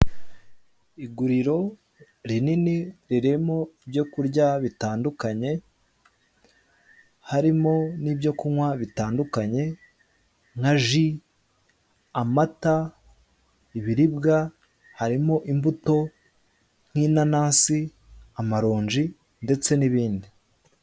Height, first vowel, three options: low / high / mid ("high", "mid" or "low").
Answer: high